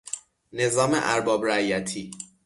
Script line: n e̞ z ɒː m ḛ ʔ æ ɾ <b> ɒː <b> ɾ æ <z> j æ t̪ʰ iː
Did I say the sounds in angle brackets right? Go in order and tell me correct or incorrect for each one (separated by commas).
correct, correct, incorrect